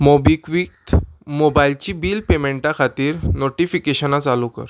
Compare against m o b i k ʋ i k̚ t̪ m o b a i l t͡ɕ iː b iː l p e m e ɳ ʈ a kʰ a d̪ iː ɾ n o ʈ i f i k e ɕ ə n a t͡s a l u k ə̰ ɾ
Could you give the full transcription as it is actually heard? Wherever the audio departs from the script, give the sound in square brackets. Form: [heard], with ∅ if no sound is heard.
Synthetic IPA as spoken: m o b i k ʋ i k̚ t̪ m o b a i l t͡ɕ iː b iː l p e m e ɳ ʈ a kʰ a [t̪] iː ɾ n o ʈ i f i k e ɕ ə n a t͡s a l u k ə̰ ɾ